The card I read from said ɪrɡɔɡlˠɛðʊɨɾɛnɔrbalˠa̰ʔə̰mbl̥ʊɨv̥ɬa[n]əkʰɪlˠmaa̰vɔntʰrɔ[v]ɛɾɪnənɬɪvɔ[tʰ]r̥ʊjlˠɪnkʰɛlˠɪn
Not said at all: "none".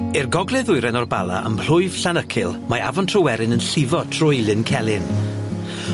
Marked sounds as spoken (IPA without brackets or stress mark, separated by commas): n, w, tʰ